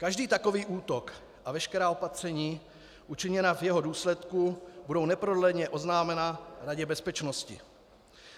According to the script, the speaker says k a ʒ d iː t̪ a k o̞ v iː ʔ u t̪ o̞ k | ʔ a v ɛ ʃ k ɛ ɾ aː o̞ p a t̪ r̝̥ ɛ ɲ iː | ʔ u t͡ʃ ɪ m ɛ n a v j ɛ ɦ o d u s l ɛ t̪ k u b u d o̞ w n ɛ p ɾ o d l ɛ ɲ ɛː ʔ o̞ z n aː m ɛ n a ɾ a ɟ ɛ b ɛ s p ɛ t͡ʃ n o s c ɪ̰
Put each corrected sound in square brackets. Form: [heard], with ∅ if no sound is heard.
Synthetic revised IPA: k a ʒ d iː t̪ a k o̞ v iː ʔ [uː] t̪ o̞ k | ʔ a v ɛ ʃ k ɛ ɾ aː o̞ p a t̪ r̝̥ ɛ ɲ iː | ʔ u t͡ʃ ɪ [ɲ] ɛ n a v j ɛ ɦ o d [uː] s l ɛ t̪ k u b u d o̞ w n ɛ p ɾ o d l ɛ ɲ [ɛ] ʔ o̞ z n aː m ɛ n a ɾ a ɟ ɛ b ɛ s p ɛ t͡ʃ n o s c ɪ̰

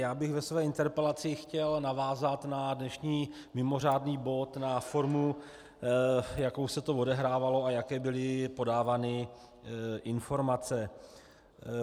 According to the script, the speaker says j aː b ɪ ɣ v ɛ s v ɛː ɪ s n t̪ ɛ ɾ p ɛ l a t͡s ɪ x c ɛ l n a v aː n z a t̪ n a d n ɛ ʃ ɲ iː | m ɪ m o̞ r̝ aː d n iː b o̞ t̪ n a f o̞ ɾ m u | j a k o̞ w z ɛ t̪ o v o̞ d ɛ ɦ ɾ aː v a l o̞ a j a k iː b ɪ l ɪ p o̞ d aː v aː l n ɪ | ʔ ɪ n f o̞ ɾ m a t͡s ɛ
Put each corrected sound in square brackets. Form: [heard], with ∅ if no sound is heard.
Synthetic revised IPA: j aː b ɪ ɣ v ɛ s v ɛː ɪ [∅] n t̪ ɛ ɾ p ɛ l a t͡s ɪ x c ɛ l n a v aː [∅] z a t̪ n a d n ɛ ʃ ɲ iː | m ɪ m o̞ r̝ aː d n iː b o̞ t̪ n a f o̞ ɾ m u | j a k o̞ w [s] ɛ t̪ o v o̞ d ɛ ɦ ɾ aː v a l o̞ a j a k [ɛː] b ɪ l ɪ p o̞ d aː v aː [∅] n ɪ | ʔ ɪ n f o̞ ɾ m a t͡s ɛ

